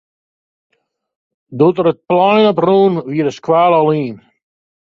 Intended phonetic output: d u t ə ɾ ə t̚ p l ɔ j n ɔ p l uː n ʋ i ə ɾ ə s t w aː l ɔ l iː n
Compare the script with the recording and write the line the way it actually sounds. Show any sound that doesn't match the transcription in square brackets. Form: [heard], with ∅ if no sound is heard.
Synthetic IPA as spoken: d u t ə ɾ ə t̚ p l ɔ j n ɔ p [r] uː n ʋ i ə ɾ ə s [k] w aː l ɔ l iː n